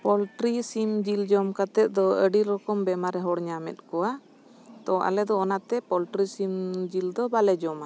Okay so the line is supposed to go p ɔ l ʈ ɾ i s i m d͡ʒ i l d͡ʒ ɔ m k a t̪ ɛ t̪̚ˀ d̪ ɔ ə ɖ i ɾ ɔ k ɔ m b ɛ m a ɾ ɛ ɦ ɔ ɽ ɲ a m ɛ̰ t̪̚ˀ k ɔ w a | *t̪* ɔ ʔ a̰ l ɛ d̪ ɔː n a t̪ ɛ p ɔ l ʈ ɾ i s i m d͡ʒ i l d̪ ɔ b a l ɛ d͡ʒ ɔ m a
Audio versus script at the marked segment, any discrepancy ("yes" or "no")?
no